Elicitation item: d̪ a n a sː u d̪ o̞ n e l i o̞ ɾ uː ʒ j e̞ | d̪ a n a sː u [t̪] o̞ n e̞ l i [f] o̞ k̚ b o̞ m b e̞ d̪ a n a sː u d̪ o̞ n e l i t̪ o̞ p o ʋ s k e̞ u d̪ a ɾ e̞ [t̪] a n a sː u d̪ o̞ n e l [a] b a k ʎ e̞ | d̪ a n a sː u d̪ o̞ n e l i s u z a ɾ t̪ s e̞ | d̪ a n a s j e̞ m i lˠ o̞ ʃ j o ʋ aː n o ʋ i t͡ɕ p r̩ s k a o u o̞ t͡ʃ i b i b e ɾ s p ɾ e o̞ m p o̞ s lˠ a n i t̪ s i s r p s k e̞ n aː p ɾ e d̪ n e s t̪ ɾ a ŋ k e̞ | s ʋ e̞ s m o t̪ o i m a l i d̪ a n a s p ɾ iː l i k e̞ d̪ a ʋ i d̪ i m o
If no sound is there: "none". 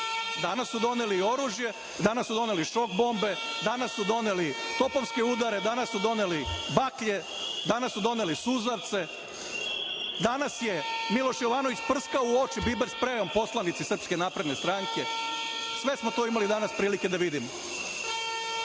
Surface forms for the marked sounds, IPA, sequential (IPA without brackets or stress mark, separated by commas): d̪, ʃ, d̪, i